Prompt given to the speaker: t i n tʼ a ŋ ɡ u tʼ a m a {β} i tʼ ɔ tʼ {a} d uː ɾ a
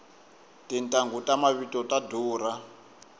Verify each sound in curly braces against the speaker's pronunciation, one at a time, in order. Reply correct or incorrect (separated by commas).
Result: correct, correct